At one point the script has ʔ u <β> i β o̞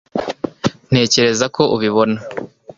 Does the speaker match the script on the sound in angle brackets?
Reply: yes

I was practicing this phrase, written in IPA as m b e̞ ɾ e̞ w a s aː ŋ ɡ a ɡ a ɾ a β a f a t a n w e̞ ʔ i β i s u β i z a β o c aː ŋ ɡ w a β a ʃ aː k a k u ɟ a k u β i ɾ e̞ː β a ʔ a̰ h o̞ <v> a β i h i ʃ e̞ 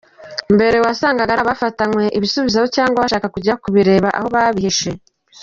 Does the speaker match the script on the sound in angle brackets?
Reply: no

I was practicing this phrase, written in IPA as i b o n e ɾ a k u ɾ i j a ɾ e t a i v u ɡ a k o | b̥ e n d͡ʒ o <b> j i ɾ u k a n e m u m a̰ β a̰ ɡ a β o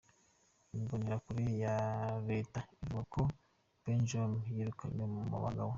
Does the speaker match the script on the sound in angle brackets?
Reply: no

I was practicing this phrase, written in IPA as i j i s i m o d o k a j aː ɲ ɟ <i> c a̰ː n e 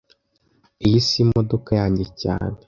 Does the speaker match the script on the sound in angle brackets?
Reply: no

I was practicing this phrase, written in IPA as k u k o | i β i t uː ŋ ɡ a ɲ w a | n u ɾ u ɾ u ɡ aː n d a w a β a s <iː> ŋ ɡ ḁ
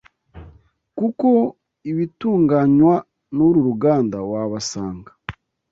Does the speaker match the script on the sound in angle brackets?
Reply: no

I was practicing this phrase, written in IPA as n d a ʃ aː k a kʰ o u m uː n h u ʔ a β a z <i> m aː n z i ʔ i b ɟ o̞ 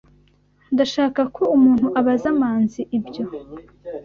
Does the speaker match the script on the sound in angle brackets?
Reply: no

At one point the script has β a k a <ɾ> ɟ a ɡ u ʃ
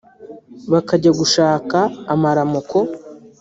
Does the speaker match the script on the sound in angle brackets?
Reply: no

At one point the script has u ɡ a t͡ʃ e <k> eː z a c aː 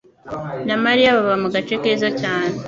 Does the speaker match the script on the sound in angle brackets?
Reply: yes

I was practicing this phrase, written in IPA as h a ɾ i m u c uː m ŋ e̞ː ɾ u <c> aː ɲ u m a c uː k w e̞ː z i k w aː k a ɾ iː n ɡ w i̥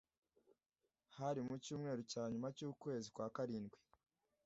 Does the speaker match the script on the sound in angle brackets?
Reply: yes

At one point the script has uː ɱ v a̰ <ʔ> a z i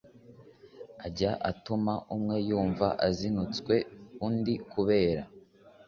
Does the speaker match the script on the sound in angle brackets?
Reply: yes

